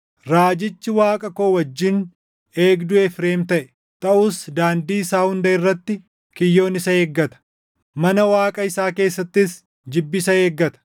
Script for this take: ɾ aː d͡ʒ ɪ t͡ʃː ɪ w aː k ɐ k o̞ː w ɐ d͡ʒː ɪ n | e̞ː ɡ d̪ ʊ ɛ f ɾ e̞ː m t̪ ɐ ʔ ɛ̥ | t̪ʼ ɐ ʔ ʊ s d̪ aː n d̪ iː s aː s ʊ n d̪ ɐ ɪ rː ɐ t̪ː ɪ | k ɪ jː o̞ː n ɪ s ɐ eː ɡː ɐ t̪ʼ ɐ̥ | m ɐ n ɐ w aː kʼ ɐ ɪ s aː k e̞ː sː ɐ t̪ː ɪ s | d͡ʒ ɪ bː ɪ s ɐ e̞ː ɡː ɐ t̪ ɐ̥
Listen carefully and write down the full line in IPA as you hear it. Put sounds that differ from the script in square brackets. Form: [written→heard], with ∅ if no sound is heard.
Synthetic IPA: ɾ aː d͡ʒ ɪ t͡ʃː ɪ w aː [k→kʼ] ɐ k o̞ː w ɐ d͡ʒː ɪ n | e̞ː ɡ d̪ ʊ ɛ f ɾ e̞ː m t̪ ɐ ʔ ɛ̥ | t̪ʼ ɐ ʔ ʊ s d̪ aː n d̪ iː s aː [s→h] ʊ n d̪ ɐ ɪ rː ɐ t̪ː ɪ | k ɪ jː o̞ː n ɪ s ɐ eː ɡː ɐ [t̪ʼ→t̪] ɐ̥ | m ɐ n ɐ w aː kʼ ɐ ɪ s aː k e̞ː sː ɐ t̪ː ɪ s | d͡ʒ ɪ bː ɪ s ɐ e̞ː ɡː ɐ t̪ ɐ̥